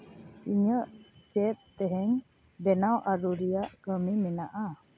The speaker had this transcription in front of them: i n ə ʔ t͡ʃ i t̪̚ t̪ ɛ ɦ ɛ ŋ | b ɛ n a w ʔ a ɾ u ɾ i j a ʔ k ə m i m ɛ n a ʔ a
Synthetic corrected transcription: i ɲ ə ʔ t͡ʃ ɛ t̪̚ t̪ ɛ ɦ ɛ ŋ | b ɛ n a w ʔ a ɾ u ɾ i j a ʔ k ə m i m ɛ n a ʔ a